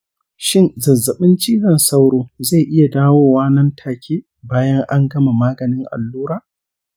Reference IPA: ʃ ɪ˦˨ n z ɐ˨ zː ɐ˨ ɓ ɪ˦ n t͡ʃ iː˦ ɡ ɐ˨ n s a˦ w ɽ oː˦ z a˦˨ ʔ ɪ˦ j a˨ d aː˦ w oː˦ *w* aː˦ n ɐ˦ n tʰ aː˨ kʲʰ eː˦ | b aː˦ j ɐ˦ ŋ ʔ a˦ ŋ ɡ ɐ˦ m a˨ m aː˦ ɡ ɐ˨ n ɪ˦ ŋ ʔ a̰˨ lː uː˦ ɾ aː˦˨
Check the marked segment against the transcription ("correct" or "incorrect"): correct